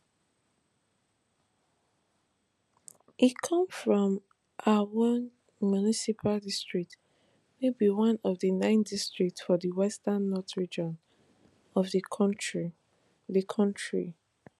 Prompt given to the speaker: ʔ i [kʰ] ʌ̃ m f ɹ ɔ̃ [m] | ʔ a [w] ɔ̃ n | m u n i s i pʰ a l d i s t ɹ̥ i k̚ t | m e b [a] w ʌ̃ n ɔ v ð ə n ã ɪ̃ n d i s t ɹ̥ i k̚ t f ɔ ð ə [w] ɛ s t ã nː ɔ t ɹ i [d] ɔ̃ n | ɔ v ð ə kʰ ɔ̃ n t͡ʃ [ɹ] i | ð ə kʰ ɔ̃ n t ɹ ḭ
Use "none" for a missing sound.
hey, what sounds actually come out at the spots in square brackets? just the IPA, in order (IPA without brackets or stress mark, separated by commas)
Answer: kʰ, m, w, i, w, d͡ʒ, ɹ